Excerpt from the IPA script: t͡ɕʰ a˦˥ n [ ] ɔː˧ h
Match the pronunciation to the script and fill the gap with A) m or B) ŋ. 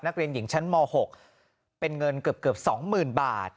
A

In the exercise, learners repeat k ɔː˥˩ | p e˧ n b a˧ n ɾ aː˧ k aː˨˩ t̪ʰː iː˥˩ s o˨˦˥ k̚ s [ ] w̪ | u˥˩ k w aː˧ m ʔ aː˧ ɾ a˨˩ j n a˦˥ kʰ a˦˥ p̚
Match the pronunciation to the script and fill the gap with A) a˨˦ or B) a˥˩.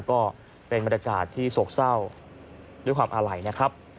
B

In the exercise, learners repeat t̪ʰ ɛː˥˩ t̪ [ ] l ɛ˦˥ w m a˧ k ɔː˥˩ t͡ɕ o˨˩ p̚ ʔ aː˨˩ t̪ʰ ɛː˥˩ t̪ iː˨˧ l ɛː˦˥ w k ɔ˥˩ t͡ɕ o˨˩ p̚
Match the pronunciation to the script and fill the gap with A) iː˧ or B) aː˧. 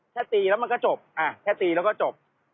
A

